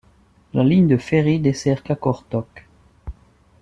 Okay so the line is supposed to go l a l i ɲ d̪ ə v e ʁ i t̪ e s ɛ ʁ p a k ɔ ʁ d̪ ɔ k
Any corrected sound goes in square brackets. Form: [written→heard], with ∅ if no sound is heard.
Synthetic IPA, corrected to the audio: l a l i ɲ d̪ ə [v→f] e ʁ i [t̪→d̪] e s ɛ ʁ [p→k] a k ɔ ʁ [d̪→t̪] ɔ k